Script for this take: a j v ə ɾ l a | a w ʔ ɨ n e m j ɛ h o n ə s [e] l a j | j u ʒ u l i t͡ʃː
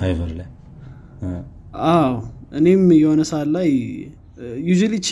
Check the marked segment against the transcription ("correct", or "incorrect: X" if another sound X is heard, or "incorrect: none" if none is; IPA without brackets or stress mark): incorrect: a